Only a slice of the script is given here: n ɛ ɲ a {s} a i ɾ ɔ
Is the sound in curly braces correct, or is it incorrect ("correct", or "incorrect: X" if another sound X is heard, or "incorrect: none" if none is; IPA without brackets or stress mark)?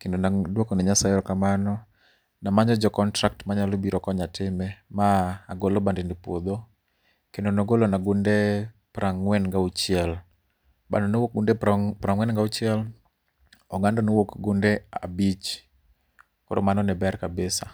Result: correct